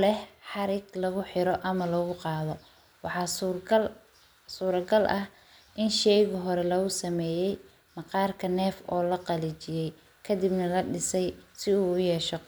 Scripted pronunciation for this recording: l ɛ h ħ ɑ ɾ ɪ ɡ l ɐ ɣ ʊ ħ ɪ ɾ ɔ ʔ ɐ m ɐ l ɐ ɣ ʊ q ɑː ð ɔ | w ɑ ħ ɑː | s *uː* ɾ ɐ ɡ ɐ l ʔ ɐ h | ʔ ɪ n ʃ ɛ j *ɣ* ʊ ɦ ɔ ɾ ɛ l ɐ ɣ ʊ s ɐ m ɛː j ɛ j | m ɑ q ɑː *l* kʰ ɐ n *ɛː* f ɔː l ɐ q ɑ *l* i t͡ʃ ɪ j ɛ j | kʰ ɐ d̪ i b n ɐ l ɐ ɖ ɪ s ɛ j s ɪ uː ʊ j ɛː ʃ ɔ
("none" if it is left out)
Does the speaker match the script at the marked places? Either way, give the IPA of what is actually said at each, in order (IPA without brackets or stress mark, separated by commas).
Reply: uː, ɣ, r, ɛː, l